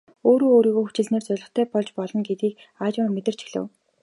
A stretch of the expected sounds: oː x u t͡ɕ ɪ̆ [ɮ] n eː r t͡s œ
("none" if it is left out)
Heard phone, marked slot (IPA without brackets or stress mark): ɮ